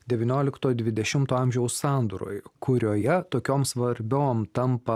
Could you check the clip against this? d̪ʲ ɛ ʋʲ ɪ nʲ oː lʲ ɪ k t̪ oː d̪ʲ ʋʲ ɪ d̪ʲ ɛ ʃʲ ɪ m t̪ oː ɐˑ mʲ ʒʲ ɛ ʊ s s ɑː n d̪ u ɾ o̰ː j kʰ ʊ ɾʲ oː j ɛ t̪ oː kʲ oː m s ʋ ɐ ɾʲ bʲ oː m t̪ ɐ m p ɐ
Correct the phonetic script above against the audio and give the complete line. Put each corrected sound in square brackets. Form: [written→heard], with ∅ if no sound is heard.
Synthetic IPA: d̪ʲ ɛ ʋʲ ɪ nʲ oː lʲ ɪ k t̪ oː d̪ʲ ʋʲ ɪ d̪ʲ ɛ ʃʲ ɪ m t̪ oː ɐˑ mʲ ʒʲ ɛ ʊ s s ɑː n d̪ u ɾ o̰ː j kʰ ʊ ɾʲ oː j ɛ t̪ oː kʲ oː m s ʋ ɐ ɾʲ bʲ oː m t̪ ɐ m p ɐ